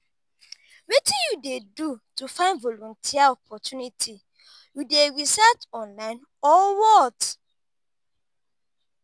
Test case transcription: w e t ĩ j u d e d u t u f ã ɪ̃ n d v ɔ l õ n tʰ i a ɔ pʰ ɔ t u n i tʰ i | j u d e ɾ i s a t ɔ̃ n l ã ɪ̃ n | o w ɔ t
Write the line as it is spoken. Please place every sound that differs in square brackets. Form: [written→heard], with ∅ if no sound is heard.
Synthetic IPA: w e t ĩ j u d e d u t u f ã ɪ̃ n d v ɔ l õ n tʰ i a ɔ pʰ ɔ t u n i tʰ i | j u d e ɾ i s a t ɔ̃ n l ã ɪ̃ n | [o→ɔ] w ɔ t